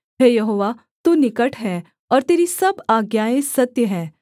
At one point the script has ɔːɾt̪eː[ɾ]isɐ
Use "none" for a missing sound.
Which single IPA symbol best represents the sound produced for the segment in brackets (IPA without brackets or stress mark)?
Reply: ɾ